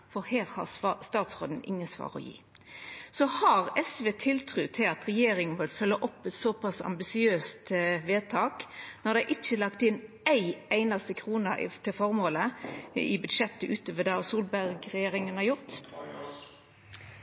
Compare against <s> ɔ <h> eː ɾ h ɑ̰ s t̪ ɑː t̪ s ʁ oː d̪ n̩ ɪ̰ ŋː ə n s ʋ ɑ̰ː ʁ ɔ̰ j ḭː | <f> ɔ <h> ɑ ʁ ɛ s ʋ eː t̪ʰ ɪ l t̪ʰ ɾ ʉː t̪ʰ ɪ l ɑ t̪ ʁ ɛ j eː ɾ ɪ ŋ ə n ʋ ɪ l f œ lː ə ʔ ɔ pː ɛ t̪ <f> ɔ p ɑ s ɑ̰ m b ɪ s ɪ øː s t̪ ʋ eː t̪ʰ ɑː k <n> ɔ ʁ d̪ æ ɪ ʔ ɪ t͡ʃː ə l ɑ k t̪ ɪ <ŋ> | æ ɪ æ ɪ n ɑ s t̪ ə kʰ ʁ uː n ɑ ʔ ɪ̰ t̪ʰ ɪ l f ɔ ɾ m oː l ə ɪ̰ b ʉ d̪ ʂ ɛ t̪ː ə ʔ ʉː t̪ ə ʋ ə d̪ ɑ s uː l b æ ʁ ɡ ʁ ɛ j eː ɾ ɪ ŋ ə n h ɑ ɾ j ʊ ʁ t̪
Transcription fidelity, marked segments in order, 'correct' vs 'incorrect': incorrect: f, correct, incorrect: s, correct, incorrect: s, correct, incorrect: n

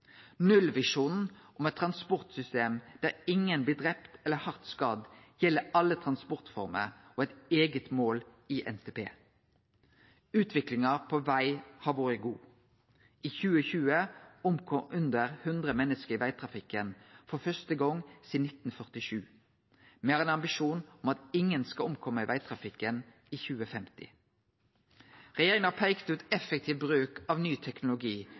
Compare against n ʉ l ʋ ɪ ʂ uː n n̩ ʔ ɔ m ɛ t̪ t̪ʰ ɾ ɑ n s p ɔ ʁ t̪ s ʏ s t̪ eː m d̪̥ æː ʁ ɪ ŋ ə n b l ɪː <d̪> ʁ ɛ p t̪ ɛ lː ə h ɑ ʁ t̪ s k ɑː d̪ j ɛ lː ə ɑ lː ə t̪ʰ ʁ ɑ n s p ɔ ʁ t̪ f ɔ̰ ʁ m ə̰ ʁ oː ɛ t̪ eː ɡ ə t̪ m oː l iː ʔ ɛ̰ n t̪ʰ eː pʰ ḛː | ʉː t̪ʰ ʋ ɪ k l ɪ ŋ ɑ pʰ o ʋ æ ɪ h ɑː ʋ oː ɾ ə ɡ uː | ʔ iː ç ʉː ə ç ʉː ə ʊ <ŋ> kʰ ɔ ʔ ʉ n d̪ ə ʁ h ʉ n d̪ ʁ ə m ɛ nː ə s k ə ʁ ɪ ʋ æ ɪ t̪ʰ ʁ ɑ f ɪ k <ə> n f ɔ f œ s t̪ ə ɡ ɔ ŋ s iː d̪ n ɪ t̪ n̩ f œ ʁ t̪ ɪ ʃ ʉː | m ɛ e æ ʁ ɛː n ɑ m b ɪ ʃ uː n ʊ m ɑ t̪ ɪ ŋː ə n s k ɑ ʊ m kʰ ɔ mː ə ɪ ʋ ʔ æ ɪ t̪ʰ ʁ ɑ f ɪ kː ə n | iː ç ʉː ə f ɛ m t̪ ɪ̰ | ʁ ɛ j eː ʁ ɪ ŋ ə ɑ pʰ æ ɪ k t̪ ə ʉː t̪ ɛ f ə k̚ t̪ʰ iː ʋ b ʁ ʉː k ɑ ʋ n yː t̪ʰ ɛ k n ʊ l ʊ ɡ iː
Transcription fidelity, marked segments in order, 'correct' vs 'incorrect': correct, incorrect: m, correct

